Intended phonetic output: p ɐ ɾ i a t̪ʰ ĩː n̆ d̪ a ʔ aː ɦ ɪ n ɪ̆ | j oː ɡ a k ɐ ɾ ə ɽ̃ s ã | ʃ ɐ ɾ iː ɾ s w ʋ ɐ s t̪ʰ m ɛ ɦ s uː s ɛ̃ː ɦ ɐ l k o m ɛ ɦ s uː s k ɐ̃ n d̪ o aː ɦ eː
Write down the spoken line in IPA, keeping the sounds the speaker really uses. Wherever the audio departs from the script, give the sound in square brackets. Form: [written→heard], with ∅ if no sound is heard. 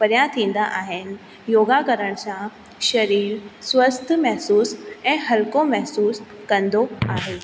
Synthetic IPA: p ɐ ɾ [i→j] a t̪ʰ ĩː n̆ d̪ a ʔ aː ɦ ɪ n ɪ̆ | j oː ɡ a k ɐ ɾ ə ɽ̃ s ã | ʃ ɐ ɾ iː ɾ s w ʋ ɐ s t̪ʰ m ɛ ɦ s uː s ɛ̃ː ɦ ɐ l k o m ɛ ɦ s uː s k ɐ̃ n d̪ o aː ɦ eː